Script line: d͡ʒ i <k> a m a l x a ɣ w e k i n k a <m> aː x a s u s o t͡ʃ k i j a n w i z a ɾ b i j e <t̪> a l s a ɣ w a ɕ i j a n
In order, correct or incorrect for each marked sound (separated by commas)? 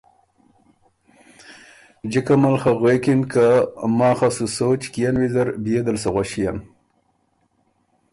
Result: correct, correct, incorrect